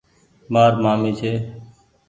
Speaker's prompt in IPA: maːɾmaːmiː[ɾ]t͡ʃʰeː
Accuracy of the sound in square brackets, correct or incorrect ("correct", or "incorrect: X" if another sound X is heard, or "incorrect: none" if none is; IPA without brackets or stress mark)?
incorrect: none